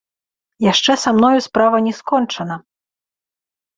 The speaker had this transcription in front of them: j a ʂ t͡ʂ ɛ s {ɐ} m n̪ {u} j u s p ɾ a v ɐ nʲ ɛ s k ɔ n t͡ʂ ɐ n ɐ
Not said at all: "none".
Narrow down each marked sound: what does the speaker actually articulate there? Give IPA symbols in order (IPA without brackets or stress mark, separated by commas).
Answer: a, ɔ